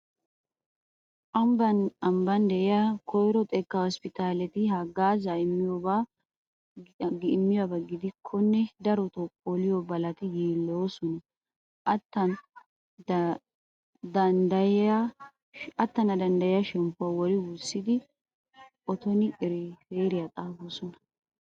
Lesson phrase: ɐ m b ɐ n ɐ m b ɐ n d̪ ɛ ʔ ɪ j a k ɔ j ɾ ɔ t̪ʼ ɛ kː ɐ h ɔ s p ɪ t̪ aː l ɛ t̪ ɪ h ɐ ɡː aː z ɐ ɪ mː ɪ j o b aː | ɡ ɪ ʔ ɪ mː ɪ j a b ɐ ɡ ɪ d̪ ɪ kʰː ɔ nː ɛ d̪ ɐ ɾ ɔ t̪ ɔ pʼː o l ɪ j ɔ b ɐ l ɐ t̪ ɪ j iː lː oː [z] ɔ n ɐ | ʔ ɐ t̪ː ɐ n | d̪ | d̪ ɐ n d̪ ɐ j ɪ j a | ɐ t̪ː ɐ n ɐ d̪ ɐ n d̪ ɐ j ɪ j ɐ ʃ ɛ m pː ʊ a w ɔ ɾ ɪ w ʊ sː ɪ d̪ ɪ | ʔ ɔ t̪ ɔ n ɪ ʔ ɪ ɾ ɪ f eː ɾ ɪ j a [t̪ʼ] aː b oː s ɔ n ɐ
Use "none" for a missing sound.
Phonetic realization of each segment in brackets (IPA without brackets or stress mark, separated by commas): s, t̪ʼ